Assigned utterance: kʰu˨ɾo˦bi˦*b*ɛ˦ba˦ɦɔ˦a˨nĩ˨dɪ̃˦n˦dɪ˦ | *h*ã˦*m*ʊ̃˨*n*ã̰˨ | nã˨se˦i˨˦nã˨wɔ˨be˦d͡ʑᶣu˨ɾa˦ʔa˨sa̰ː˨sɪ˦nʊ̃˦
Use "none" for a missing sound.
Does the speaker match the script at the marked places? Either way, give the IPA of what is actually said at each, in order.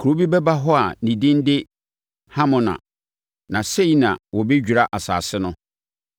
b, h, m, n

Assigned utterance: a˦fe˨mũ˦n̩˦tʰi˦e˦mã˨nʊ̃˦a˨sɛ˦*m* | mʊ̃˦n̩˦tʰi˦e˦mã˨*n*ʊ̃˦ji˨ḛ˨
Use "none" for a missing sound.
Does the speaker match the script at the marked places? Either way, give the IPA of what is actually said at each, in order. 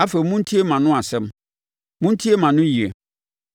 m, n

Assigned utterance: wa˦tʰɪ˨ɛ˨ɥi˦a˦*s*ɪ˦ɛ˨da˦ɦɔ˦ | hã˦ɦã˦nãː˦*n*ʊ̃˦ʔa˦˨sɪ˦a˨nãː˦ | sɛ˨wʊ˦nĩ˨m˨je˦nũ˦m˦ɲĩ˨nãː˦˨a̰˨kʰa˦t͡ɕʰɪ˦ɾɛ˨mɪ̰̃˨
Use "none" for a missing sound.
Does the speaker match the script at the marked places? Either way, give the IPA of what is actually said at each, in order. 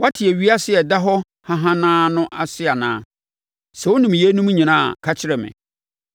s, n

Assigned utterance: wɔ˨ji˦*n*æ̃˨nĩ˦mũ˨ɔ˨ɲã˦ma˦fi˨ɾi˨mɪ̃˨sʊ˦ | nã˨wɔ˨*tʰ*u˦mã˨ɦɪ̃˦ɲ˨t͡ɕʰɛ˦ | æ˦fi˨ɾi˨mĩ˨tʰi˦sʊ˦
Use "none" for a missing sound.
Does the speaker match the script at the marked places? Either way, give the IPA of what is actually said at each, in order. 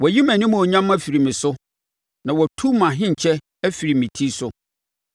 m, tʰ

